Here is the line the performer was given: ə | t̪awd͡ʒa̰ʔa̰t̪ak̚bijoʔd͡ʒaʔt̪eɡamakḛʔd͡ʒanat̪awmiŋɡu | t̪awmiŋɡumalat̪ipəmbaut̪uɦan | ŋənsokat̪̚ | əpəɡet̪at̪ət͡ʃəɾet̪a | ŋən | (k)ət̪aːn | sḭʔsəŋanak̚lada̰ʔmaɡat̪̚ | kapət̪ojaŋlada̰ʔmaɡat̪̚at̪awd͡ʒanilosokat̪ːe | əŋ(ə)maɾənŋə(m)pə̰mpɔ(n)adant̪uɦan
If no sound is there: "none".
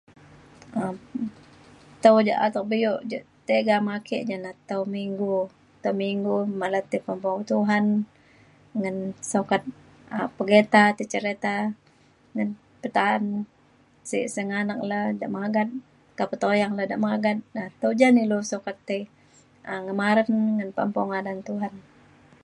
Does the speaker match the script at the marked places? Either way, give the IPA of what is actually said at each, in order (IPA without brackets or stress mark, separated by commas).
p, ə, n, ŋ